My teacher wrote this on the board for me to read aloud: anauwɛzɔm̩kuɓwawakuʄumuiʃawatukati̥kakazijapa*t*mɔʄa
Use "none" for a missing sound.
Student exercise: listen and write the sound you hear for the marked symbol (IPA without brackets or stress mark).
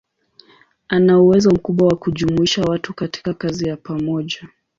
none